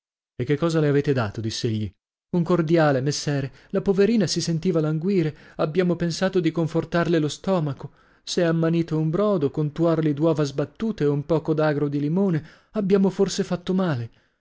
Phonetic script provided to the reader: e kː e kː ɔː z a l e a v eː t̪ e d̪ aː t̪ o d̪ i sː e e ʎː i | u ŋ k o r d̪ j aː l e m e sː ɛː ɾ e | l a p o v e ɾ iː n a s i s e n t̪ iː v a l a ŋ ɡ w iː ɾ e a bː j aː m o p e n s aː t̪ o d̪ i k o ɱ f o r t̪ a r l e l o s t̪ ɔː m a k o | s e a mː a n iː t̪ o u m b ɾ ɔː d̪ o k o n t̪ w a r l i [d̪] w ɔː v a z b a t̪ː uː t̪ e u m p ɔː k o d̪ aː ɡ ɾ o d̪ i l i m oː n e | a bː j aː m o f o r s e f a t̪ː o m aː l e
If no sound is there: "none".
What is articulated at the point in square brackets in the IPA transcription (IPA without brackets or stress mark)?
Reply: d̪